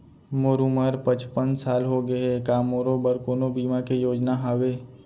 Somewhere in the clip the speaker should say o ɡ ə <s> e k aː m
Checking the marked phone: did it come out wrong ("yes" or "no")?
yes